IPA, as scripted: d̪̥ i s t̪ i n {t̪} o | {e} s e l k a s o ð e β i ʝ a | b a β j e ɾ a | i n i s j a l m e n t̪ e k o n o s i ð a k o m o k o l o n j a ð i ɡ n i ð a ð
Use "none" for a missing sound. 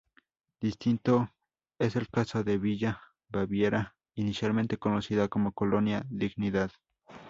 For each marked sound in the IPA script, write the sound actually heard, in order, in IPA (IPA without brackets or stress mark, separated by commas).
t̪, e